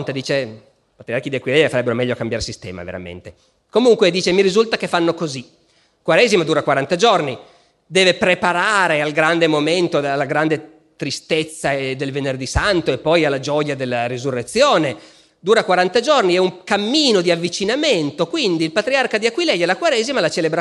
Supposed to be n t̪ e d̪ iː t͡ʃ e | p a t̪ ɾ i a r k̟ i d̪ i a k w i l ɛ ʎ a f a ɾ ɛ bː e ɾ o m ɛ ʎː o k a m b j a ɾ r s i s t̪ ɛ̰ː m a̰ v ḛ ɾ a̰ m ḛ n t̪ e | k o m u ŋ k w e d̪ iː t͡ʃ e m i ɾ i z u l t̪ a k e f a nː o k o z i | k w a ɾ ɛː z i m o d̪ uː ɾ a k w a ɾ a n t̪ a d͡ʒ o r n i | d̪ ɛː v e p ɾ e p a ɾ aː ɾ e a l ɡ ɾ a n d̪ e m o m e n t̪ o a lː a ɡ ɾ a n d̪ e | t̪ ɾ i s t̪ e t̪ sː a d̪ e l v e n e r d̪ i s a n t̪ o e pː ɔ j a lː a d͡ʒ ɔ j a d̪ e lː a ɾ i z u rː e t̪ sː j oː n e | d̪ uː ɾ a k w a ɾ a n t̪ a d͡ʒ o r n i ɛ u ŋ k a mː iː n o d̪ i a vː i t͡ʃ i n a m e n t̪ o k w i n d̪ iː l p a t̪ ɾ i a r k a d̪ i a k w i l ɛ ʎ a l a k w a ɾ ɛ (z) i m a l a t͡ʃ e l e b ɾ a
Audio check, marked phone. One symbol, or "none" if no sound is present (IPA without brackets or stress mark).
z